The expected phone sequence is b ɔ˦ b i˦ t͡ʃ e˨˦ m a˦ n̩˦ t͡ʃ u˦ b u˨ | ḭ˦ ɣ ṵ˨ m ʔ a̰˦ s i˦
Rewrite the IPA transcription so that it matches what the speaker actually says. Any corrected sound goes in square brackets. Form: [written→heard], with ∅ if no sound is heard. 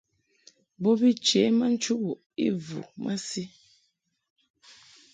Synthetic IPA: b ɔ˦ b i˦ t͡ʃ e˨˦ m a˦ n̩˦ t͡ʃ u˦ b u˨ | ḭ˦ [ɣ→v] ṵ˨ m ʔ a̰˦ s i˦